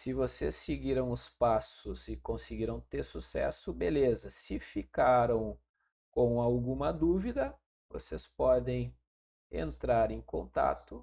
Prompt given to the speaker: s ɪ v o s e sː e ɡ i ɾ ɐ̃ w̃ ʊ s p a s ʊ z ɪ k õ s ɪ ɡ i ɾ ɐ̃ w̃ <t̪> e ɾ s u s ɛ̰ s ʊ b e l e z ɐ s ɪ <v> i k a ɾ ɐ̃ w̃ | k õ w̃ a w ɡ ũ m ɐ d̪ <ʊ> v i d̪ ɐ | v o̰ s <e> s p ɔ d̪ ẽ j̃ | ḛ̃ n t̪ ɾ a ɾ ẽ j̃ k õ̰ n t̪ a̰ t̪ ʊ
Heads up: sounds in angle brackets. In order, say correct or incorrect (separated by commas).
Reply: correct, incorrect, incorrect, correct